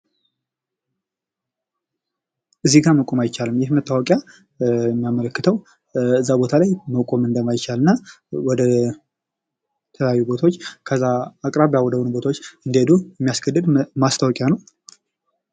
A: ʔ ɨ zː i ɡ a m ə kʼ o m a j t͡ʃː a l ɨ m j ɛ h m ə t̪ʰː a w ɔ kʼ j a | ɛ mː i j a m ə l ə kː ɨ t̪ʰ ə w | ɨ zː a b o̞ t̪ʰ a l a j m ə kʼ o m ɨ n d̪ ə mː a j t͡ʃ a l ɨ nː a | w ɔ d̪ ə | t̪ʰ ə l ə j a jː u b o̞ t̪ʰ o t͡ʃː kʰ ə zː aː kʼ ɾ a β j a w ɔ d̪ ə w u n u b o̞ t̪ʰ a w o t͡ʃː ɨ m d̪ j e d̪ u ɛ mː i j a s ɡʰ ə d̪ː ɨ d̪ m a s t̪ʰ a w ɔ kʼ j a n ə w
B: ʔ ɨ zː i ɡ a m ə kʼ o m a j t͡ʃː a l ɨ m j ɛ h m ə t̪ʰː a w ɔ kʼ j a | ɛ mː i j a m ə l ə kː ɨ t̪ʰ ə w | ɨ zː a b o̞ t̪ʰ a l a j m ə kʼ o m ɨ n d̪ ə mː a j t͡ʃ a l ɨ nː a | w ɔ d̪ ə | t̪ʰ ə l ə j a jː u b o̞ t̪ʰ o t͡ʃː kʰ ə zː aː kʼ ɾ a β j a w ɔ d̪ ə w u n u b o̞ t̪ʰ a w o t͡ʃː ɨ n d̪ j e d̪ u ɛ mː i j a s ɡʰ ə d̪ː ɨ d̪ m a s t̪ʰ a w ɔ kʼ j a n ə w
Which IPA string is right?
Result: B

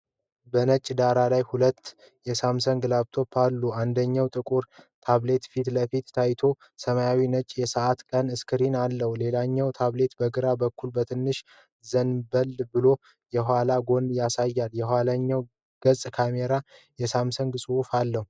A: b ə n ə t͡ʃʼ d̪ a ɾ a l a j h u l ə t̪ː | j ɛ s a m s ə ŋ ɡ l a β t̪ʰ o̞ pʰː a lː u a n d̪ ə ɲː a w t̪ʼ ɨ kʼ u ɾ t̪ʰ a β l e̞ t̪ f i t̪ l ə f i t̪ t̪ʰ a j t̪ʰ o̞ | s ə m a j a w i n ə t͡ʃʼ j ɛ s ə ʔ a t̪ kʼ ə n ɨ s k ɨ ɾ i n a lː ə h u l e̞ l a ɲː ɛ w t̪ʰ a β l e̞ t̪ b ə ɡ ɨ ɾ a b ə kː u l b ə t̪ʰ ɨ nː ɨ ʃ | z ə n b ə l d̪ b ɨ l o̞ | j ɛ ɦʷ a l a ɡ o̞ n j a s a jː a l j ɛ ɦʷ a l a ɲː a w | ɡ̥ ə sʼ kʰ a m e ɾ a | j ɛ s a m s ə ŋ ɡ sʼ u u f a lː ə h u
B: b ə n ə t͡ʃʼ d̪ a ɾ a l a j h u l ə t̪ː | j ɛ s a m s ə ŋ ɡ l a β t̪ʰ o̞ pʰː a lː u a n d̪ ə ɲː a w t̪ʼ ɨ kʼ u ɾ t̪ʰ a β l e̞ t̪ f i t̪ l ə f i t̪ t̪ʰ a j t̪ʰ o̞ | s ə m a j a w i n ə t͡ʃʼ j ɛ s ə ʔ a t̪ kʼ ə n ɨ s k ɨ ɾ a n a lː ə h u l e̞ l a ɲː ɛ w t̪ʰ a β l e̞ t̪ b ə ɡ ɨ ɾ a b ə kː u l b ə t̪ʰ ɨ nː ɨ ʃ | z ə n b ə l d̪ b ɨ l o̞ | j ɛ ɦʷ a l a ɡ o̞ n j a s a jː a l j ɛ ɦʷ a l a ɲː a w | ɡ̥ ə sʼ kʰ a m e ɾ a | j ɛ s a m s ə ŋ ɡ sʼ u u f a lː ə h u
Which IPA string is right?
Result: A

